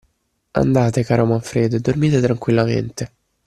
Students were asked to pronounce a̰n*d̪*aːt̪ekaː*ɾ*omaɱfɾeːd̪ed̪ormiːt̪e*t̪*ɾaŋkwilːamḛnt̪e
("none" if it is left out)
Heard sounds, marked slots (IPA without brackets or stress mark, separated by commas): d̪, ɾ, t̪